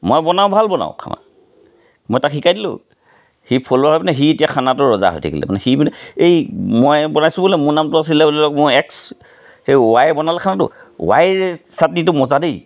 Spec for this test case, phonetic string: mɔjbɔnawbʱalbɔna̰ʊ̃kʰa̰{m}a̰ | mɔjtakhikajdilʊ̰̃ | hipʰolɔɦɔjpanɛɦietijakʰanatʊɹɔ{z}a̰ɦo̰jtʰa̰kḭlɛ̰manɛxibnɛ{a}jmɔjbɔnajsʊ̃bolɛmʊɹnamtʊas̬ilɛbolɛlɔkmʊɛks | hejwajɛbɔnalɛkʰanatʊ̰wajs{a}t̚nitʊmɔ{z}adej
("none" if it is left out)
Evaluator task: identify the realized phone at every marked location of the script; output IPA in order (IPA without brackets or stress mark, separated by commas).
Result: m, z, e, a, z